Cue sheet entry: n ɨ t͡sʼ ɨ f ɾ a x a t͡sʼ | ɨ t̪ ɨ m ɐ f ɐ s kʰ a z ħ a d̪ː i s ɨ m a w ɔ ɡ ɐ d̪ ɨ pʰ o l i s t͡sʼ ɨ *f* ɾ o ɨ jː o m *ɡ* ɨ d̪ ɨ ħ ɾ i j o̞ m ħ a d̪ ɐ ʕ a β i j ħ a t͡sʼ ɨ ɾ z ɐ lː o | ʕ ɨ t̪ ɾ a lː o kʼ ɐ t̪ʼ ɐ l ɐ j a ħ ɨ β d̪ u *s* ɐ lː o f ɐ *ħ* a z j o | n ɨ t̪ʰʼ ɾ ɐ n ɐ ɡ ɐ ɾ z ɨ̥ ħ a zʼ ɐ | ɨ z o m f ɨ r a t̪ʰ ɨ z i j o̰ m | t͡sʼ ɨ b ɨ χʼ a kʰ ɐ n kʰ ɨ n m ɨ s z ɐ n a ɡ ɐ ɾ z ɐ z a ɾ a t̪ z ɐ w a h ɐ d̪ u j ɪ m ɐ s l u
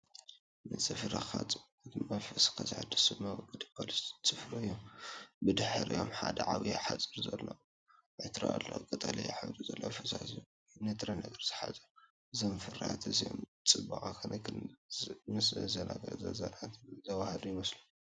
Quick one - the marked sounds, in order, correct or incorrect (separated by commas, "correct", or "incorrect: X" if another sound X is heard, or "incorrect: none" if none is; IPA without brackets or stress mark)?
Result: correct, incorrect: b, incorrect: z, incorrect: s